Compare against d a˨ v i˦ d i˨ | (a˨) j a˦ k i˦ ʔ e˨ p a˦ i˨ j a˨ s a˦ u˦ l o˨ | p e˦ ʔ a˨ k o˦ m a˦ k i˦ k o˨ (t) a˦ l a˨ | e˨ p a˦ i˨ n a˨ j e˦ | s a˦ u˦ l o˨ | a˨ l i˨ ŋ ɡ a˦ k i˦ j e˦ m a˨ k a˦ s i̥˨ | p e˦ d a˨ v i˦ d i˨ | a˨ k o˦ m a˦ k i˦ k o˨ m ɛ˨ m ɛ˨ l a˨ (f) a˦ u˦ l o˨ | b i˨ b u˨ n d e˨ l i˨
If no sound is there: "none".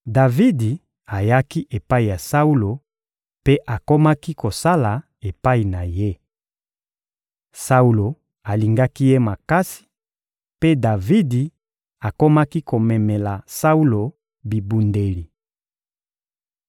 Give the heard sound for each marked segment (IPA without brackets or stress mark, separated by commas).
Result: a˨, s, s